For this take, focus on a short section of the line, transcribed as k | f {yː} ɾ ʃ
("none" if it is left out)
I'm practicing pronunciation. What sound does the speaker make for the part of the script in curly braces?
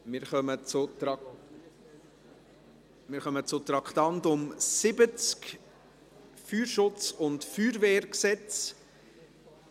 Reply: yː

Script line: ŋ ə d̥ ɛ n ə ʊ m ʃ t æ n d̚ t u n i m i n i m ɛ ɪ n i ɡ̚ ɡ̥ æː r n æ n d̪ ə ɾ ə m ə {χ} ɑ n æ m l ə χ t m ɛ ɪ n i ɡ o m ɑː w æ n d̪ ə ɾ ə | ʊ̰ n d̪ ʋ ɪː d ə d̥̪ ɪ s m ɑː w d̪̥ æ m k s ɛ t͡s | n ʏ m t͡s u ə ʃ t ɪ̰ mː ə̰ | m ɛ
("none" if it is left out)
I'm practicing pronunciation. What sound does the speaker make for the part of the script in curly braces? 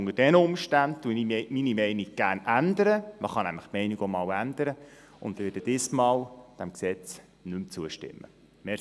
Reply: χ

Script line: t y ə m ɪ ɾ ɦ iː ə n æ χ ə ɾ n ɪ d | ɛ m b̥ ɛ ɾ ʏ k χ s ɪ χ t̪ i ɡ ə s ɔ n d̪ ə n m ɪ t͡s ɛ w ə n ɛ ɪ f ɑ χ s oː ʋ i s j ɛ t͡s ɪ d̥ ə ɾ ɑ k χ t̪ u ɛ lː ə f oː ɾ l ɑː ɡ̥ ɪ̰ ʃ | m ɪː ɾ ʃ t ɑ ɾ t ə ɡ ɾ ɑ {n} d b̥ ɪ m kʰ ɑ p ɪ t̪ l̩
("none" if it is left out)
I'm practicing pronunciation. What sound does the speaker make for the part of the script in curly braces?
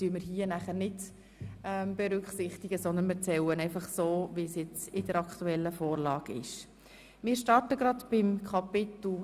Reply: none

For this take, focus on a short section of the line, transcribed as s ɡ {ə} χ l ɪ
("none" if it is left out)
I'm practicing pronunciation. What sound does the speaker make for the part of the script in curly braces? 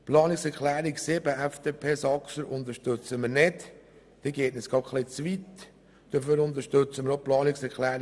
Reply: ɑ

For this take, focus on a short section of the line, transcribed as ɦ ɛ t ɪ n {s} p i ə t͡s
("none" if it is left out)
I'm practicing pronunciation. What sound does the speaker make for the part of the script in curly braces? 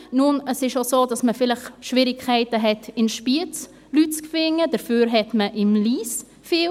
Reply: ʃ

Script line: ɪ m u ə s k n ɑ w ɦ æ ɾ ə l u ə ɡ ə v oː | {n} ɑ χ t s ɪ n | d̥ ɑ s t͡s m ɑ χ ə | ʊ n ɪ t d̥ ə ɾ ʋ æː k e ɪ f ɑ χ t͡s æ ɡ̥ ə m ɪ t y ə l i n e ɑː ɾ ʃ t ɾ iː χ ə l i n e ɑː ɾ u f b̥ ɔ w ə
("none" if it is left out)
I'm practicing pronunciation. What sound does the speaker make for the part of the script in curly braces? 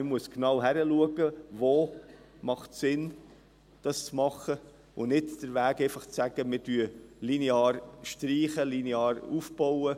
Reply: m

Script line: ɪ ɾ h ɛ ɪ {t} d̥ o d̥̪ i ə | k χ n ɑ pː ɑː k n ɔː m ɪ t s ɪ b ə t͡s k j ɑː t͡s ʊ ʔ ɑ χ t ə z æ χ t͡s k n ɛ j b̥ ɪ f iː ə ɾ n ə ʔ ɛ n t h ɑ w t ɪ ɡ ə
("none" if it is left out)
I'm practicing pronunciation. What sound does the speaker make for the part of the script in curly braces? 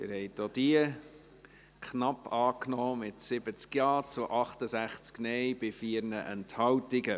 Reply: t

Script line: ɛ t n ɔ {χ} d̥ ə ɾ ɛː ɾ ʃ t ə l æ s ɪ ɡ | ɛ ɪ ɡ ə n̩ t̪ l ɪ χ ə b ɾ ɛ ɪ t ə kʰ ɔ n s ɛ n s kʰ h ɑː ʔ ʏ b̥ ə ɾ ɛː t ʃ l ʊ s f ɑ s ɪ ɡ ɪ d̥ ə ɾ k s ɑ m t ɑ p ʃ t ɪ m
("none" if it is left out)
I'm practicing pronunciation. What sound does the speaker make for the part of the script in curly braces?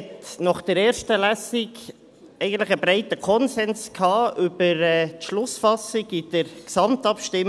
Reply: χ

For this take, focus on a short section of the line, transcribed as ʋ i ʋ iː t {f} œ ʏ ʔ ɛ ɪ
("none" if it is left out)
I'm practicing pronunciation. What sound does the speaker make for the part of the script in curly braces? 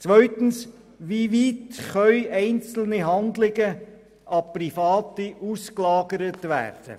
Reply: χ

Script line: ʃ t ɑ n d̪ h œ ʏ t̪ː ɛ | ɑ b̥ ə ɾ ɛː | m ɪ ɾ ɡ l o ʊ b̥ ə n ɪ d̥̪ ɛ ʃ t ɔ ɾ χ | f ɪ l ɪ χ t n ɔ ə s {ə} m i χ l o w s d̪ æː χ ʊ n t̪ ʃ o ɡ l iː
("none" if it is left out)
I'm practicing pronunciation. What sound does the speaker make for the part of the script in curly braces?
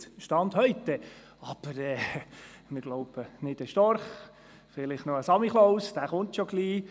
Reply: ɑ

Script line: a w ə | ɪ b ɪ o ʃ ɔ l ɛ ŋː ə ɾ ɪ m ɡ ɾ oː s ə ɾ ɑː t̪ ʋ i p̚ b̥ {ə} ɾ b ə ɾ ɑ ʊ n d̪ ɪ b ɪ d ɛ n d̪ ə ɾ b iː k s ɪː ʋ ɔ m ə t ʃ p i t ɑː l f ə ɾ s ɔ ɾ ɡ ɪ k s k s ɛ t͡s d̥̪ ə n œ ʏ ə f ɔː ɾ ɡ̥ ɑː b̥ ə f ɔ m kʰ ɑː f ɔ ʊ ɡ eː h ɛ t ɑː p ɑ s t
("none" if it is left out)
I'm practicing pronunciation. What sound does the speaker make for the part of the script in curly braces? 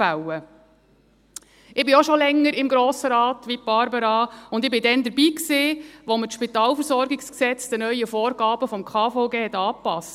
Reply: ɑ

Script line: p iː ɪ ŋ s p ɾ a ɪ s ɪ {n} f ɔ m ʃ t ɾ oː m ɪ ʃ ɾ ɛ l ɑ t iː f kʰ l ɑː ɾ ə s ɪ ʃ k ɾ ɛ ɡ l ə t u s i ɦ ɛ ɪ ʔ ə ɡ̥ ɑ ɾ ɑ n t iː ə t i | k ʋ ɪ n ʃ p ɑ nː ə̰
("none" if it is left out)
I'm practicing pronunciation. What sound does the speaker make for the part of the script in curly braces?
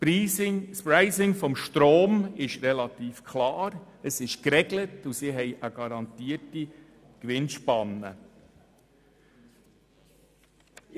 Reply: ŋ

